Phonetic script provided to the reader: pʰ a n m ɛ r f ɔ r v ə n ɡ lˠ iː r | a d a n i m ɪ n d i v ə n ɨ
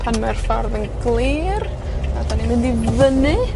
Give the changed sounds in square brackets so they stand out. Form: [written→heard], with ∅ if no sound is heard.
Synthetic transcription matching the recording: pʰ a n m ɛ r f ɔ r [v→ð] ə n ɡ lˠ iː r | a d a n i m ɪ n d i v ə n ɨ